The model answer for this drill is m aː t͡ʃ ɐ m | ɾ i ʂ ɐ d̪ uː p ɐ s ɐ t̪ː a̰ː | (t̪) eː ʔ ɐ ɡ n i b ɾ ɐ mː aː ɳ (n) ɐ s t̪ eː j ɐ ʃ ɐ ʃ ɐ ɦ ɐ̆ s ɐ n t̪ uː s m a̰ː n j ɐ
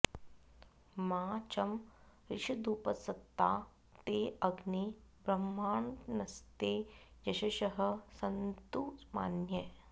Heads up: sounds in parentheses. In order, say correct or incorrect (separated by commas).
correct, correct